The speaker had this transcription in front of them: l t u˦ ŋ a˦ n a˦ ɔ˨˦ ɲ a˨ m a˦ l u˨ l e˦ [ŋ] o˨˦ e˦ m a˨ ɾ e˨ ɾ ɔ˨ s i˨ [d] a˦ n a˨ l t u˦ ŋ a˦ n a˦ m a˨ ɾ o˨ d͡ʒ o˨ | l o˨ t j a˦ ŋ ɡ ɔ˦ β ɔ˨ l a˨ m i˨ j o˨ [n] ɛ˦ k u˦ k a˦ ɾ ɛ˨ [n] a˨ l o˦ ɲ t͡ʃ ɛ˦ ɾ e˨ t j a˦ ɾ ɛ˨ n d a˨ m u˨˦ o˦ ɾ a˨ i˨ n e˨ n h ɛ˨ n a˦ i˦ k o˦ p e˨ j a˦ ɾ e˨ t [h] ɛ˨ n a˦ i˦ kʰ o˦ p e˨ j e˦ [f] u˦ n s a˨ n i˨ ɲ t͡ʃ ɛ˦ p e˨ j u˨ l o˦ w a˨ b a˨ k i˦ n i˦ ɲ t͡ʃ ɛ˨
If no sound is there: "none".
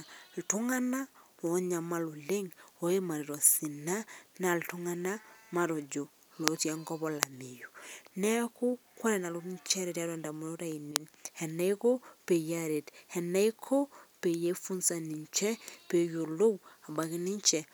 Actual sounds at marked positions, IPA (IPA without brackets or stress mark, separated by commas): ŋ, n, n, n, h, f